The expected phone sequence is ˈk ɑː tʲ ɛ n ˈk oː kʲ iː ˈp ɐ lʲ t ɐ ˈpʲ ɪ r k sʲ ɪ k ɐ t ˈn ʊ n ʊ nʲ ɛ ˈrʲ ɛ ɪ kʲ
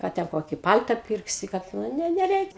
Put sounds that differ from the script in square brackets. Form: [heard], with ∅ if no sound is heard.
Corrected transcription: ˈk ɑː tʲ ɛ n ˈk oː kʲ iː ˈp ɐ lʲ t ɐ ˈpʲ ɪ r k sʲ ɪ k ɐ t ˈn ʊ n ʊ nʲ ɛ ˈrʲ ɛ ɪ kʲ